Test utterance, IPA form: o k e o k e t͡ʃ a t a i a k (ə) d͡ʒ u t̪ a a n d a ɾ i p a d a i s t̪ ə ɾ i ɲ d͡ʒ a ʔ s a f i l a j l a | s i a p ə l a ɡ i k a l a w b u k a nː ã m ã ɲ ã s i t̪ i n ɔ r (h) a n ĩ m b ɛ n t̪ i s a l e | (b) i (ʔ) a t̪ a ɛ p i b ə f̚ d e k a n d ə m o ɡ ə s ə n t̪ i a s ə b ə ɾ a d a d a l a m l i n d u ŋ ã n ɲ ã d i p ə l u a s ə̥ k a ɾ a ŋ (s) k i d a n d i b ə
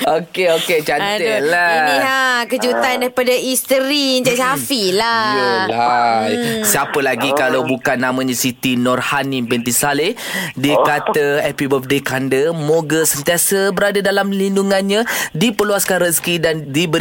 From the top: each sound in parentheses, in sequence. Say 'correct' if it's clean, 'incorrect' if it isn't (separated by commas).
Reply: correct, correct, incorrect, incorrect, correct